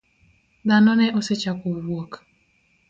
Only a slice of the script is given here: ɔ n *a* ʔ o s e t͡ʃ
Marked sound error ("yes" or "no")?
yes